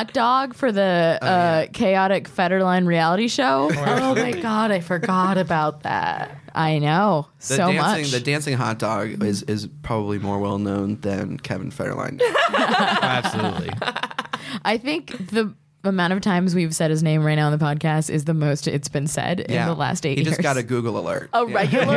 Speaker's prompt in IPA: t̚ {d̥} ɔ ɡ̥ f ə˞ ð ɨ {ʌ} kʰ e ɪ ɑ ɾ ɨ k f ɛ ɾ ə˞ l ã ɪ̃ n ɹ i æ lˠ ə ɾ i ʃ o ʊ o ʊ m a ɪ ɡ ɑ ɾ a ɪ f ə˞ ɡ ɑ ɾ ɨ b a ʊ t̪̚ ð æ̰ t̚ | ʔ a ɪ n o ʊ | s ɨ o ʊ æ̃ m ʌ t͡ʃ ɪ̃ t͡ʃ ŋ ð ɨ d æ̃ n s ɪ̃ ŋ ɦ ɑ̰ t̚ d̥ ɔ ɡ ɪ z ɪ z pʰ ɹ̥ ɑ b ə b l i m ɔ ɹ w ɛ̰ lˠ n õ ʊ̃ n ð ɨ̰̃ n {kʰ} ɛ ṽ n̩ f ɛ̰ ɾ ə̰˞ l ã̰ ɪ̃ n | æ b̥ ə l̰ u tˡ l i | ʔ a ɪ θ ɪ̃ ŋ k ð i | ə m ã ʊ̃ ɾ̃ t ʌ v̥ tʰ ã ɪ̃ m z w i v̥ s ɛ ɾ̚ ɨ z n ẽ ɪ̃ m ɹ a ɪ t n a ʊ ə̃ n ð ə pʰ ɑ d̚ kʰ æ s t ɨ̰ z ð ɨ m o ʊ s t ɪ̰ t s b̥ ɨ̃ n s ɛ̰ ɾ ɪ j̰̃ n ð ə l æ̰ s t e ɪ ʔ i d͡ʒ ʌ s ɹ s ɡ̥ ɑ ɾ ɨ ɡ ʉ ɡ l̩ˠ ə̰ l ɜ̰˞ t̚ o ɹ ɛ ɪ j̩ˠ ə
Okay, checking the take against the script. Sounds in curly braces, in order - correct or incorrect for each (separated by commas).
correct, correct, correct